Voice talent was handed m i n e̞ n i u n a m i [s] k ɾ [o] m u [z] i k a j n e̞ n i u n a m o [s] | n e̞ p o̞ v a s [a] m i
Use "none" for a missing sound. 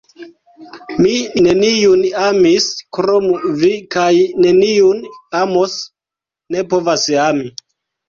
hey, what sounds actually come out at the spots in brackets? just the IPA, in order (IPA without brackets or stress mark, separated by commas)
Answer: s, o, v, s, a